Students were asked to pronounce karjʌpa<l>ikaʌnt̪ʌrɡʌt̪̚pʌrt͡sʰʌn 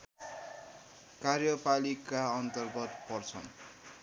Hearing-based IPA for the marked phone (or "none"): l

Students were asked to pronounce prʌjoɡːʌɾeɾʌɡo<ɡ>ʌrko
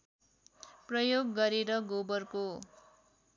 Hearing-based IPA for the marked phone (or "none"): b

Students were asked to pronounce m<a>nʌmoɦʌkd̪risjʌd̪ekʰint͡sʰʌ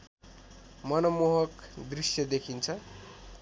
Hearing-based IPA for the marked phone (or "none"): ʌ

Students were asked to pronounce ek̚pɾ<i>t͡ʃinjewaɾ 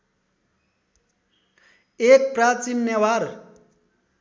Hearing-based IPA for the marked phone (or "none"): a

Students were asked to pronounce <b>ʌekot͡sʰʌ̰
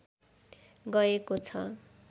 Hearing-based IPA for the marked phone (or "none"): ɡ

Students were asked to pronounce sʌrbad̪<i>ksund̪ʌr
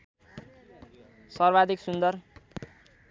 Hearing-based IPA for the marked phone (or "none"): i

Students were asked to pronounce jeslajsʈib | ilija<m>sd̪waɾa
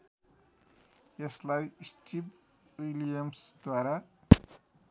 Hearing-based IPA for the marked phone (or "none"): m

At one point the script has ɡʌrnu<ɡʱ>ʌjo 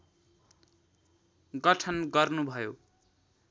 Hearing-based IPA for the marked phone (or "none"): bʱ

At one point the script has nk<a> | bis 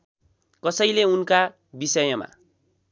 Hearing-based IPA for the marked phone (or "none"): a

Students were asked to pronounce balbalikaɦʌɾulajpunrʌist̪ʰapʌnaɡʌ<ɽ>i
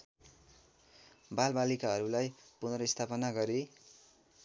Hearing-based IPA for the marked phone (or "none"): ɾ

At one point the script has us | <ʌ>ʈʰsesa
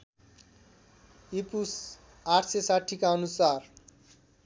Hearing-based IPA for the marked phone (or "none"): a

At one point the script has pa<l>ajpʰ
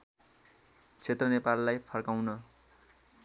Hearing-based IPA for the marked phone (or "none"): lː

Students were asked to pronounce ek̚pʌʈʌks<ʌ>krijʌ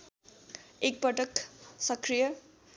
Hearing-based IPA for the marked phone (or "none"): ʌ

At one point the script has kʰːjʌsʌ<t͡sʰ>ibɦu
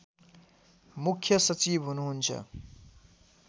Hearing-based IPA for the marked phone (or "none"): t͡s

